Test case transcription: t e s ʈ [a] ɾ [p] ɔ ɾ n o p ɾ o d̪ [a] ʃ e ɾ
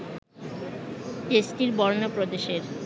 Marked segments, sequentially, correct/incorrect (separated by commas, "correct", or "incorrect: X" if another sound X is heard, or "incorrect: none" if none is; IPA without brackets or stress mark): incorrect: i, incorrect: b, incorrect: e